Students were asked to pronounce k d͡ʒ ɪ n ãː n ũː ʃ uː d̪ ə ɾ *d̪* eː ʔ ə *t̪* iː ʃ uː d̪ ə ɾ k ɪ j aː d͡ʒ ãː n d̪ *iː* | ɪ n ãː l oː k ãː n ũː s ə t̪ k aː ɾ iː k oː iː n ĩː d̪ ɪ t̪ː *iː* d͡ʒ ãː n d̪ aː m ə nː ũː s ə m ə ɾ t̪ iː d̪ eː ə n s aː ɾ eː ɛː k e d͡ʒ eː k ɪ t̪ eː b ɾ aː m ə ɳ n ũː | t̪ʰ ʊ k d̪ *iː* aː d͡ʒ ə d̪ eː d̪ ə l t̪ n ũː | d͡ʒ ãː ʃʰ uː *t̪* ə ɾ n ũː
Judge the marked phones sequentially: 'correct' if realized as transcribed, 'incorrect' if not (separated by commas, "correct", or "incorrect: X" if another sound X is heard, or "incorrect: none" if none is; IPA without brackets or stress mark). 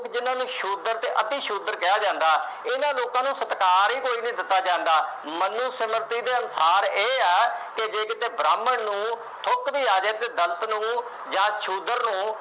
incorrect: t̪, correct, incorrect: aː, incorrect: aː, correct, incorrect: d̪